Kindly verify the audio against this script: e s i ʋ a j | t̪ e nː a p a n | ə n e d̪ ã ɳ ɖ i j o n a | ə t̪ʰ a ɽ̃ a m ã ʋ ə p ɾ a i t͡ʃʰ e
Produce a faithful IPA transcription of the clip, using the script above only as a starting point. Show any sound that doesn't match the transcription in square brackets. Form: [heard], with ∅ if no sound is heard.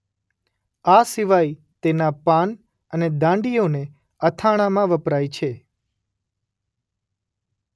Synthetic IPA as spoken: [a] s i ʋ a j | t̪ e [n] a p a n | ə n e d̪ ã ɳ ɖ i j o n [e] | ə t̪ʰ a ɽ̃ a m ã ʋ ə p ɾ a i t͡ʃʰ e